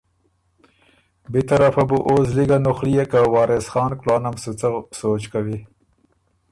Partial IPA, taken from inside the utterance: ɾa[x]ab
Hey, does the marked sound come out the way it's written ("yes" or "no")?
no